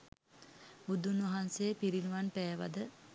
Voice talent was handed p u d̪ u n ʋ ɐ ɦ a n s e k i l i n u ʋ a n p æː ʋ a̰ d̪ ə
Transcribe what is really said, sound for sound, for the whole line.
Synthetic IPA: b u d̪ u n ʋ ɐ ɦ a n s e p i ɾ i n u ʋ a n p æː ʋ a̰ d̪ ə